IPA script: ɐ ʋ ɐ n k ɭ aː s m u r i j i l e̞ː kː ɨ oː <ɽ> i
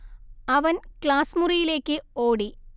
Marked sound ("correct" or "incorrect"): correct